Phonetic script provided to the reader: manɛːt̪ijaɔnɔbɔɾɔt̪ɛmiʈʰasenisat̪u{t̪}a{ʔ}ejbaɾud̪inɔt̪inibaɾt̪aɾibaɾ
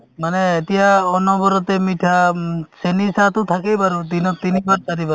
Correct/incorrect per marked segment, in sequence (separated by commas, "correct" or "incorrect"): incorrect, incorrect